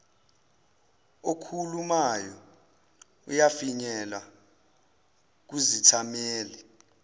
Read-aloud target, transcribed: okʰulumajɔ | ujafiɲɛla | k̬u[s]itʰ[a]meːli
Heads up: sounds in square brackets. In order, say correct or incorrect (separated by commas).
incorrect, correct